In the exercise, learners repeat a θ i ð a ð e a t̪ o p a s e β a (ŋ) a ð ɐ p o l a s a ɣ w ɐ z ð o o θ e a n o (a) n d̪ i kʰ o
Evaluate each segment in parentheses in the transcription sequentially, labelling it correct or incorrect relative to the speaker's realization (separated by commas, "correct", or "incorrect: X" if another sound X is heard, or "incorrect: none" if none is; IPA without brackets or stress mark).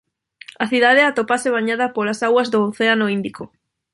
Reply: incorrect: ɲ, incorrect: i